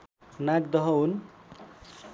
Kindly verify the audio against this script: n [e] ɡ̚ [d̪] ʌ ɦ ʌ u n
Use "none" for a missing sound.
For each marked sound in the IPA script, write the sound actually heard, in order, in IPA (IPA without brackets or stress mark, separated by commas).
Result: a, d̪